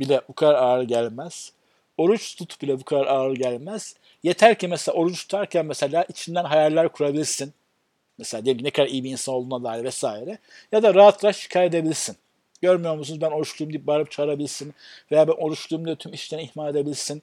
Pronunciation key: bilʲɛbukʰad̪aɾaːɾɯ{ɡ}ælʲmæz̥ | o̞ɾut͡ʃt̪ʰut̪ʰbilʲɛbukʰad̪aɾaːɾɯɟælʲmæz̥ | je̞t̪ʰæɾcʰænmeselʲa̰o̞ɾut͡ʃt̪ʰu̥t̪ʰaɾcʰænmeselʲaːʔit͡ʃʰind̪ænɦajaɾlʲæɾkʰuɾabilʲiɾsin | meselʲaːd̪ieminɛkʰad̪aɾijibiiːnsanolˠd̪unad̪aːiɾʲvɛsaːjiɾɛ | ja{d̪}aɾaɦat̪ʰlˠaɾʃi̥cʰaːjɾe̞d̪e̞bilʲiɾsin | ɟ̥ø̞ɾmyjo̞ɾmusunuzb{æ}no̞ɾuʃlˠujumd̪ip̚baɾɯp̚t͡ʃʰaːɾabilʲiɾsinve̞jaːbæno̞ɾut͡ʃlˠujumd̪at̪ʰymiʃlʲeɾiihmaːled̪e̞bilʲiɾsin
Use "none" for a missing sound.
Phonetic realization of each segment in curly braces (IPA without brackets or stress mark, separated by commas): ɟ, d̪, æ